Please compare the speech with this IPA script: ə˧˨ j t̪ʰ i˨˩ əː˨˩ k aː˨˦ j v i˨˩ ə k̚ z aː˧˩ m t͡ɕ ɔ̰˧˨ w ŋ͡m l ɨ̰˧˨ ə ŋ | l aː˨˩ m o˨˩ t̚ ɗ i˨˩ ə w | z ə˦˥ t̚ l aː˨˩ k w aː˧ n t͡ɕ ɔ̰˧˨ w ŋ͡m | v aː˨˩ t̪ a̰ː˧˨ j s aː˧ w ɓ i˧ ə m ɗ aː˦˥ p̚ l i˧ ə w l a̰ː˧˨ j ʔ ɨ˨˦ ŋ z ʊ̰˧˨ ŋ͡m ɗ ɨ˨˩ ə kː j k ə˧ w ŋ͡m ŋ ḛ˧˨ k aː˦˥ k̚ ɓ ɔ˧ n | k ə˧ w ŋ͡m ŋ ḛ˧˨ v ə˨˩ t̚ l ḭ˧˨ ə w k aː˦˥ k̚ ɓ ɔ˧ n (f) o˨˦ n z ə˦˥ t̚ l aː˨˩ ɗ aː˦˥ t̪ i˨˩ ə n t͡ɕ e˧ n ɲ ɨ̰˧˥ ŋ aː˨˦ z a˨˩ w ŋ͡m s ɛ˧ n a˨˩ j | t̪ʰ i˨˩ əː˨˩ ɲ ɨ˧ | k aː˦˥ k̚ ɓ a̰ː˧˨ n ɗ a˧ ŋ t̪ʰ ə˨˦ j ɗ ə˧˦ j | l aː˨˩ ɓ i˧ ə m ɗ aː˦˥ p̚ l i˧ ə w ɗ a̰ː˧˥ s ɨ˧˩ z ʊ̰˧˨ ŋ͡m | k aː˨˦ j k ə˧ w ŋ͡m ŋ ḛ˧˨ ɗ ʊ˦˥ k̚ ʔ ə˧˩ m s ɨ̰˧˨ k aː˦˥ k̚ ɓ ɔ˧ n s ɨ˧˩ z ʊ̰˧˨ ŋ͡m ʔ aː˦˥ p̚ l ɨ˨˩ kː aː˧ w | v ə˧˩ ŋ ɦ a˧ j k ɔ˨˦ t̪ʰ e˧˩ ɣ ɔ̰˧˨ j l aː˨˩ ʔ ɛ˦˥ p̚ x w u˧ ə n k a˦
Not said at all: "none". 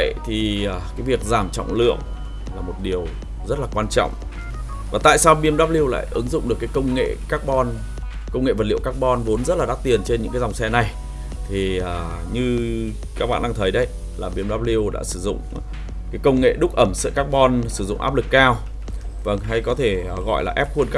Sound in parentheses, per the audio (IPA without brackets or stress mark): v